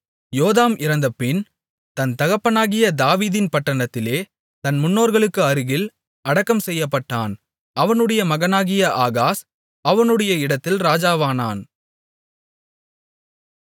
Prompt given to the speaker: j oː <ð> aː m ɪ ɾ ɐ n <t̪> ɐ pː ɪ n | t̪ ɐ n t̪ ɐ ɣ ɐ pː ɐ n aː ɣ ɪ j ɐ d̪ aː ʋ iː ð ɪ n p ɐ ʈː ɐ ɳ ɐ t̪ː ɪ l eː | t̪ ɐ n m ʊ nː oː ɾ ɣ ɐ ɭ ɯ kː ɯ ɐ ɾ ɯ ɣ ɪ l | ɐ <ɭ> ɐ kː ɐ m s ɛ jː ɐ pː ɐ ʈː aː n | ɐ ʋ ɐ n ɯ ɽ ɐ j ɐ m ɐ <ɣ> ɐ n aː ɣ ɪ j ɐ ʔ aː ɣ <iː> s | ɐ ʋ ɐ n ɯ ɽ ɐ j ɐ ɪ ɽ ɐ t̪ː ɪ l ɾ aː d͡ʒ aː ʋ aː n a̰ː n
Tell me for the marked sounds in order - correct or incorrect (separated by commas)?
correct, incorrect, incorrect, correct, incorrect